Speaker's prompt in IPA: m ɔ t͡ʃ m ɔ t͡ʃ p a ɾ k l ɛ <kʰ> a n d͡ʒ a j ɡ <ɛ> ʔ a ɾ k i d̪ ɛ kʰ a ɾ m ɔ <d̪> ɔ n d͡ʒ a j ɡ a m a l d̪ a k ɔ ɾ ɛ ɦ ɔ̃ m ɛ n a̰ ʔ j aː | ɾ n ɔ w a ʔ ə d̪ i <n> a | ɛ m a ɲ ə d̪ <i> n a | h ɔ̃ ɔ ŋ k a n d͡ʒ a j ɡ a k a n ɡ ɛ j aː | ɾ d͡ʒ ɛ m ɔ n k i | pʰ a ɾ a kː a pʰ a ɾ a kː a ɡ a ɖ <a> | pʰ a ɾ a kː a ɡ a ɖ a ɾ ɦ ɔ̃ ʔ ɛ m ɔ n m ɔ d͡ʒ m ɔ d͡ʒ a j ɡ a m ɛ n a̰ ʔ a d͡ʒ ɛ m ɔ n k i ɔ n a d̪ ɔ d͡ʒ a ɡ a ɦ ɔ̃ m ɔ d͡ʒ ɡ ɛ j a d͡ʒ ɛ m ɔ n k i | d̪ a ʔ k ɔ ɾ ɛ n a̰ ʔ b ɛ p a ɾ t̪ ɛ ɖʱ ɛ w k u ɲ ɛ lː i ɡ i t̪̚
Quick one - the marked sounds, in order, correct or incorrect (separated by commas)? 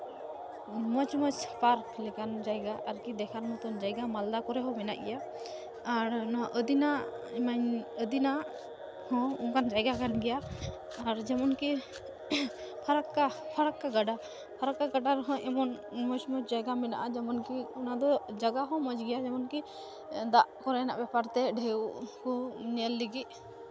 incorrect, incorrect, incorrect, correct, correct, correct